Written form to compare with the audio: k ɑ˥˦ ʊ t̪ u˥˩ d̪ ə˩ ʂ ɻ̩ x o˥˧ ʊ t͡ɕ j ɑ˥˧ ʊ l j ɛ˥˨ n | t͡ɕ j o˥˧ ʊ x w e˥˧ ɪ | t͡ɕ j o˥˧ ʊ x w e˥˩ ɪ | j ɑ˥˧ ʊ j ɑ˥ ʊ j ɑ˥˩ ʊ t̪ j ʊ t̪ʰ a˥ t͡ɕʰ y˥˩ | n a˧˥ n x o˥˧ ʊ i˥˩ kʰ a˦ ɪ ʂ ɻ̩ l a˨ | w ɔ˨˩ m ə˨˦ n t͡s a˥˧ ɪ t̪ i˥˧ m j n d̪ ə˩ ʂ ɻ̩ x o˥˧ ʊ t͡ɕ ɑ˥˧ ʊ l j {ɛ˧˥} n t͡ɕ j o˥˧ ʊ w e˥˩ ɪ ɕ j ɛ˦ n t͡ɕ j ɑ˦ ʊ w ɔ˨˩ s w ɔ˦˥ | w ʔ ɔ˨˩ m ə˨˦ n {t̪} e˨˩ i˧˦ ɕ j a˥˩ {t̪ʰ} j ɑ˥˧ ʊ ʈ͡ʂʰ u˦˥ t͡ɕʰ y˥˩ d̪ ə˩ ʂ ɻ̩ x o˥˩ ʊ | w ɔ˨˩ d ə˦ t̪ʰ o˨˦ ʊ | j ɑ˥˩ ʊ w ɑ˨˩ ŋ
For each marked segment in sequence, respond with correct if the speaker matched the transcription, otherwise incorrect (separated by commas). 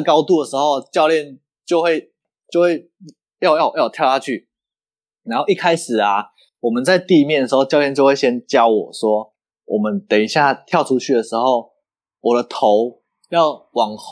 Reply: incorrect, correct, correct